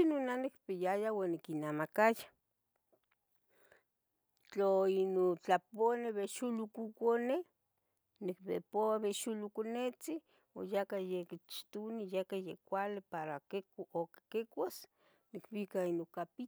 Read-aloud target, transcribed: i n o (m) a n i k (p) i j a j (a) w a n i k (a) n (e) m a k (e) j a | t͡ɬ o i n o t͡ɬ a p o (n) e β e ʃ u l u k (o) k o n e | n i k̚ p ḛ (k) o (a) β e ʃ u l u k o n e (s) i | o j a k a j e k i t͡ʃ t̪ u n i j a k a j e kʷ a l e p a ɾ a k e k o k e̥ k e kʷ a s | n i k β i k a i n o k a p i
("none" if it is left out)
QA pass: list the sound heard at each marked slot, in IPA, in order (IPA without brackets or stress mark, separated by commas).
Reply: n, p, a, i, a, a, n, u, p, a, t͡s